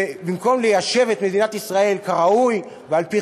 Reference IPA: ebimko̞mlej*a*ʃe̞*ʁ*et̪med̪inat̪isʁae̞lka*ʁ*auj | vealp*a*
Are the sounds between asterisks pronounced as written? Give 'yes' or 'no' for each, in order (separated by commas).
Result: yes, no, yes, no